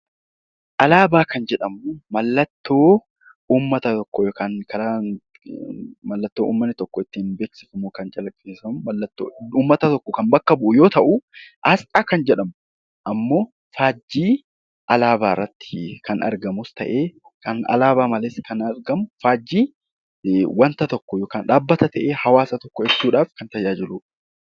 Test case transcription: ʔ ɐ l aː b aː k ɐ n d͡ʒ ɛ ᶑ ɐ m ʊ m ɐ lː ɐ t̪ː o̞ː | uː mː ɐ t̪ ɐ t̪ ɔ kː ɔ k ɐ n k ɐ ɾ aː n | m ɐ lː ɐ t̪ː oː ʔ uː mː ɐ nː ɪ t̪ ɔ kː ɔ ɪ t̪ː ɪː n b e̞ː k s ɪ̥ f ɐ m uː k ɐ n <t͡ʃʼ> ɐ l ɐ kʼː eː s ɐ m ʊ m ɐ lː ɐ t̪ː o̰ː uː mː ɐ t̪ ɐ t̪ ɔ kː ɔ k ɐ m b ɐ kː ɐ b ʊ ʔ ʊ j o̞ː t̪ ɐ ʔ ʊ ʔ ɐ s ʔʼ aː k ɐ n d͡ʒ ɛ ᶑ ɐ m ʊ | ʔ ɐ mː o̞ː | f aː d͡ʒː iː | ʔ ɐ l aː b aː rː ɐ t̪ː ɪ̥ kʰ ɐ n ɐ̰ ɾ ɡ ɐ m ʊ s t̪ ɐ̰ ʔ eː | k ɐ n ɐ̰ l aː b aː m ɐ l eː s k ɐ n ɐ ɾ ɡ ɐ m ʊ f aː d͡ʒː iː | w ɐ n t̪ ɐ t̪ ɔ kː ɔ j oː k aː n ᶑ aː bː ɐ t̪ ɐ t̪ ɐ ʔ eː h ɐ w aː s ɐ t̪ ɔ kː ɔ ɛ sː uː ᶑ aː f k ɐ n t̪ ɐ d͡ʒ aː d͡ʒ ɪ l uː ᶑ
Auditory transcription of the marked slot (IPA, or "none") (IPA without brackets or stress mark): t͡ʃʼ